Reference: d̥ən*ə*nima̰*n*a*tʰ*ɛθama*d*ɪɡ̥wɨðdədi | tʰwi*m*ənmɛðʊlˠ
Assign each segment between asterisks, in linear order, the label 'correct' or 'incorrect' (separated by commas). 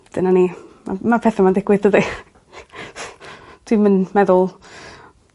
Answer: incorrect, incorrect, incorrect, correct, correct